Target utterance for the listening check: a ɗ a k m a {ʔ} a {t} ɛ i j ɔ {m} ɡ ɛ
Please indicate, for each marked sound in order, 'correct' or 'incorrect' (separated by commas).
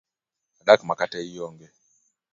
incorrect, correct, incorrect